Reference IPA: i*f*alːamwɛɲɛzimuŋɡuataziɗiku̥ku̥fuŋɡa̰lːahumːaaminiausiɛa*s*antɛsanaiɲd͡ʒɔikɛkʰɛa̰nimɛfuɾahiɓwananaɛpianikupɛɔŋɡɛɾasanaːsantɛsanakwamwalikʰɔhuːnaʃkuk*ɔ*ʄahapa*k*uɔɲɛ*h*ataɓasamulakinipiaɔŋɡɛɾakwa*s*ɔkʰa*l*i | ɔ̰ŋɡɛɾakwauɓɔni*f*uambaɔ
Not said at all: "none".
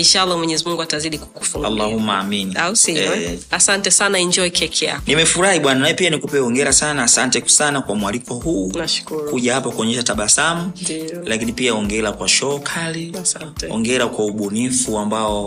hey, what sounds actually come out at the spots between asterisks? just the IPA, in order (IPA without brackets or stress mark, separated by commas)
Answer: ʃ, s, u, k, ʃ, ʃ, l, f